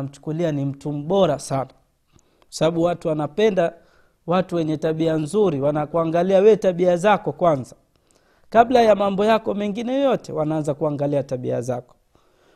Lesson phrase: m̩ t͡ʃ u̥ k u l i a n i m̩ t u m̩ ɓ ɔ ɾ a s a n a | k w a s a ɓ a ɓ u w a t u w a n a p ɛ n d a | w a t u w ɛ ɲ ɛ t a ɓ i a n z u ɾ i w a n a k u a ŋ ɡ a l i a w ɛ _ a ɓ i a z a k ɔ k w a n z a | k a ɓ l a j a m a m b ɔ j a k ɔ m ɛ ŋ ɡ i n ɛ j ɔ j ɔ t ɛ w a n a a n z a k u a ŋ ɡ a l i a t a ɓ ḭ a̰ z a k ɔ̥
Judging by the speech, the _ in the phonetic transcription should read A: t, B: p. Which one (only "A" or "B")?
A